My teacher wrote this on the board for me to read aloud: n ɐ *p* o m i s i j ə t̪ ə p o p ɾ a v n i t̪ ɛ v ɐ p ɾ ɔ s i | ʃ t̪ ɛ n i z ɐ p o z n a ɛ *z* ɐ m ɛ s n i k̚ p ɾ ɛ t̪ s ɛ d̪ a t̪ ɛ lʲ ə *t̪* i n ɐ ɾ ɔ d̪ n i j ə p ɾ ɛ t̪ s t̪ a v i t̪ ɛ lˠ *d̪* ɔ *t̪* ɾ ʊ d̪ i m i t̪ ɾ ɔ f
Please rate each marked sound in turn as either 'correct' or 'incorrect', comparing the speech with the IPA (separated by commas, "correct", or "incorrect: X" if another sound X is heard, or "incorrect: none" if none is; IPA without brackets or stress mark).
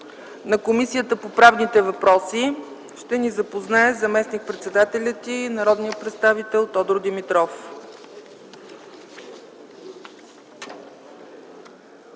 incorrect: k, correct, correct, incorrect: t̪, incorrect: d̪